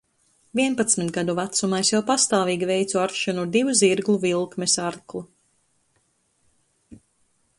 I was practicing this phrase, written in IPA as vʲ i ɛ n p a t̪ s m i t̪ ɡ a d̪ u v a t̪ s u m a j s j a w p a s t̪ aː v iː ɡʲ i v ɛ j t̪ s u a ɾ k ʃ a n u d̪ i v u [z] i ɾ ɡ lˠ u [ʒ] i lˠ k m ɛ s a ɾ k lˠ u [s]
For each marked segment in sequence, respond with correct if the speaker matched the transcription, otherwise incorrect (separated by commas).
correct, incorrect, incorrect